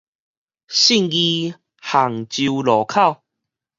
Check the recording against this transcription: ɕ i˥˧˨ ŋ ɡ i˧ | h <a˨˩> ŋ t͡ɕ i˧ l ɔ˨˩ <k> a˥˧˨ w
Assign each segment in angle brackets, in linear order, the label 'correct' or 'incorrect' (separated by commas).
correct, incorrect